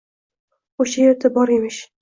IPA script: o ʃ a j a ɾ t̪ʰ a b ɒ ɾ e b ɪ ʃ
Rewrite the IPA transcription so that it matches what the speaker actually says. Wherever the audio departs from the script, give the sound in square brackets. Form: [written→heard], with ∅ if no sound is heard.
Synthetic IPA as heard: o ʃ a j [a→e] ɾ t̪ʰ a b ɒ ɾ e [b→m] ɪ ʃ